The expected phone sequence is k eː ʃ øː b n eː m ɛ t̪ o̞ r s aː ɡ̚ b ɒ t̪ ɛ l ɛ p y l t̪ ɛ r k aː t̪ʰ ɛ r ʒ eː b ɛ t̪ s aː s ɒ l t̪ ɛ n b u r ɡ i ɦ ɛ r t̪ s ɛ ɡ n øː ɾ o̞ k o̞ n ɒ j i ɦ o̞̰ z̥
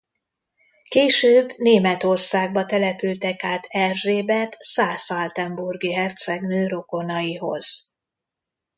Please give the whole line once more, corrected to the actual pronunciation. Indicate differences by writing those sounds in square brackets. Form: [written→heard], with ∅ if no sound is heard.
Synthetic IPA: k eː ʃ øː b n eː m ɛ t̪ o̞ r s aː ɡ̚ b ɒ t̪ ɛ l ɛ p y l t̪ ɛ [r→∅] k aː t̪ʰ ɛ r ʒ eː b ɛ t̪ s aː s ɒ l t̪ ɛ [n→m] b u r ɡ i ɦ ɛ r t̪ s ɛ ɡ n øː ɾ o̞ k o̞ n ɒ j i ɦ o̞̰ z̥